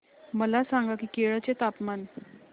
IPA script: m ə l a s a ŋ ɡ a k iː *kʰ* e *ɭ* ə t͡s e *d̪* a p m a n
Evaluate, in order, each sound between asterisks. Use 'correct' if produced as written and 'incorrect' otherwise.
incorrect: k, correct, incorrect: t̪

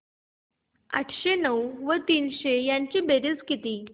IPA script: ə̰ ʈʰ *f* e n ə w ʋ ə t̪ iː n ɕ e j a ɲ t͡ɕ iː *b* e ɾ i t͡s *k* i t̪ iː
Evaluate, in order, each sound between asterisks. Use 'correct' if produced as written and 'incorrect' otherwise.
incorrect: ɕ, correct, correct

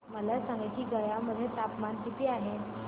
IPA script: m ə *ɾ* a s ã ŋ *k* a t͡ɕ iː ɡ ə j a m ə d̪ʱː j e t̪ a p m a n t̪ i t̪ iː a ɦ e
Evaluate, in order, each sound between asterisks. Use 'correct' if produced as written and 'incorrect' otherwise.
incorrect: l, incorrect: ɡ

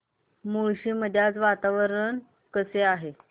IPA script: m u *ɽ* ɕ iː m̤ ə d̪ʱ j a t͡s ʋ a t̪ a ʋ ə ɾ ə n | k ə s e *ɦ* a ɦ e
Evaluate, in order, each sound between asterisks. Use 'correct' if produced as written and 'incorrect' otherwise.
incorrect: ɭ, incorrect: none

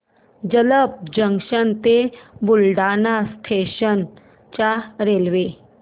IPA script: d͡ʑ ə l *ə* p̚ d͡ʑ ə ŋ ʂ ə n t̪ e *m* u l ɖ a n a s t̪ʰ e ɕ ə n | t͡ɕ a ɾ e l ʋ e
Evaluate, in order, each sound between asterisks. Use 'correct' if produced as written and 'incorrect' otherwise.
correct, incorrect: b

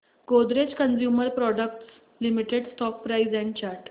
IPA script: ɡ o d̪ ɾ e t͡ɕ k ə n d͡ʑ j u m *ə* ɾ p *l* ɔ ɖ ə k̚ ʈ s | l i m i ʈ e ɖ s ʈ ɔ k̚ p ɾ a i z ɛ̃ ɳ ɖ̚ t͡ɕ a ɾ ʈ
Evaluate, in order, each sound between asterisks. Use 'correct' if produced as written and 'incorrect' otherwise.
correct, incorrect: ɾ

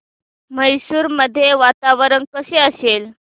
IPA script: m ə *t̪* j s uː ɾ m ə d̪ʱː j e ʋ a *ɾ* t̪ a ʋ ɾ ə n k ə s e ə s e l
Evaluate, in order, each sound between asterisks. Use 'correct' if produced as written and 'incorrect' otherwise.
incorrect: none, incorrect: none

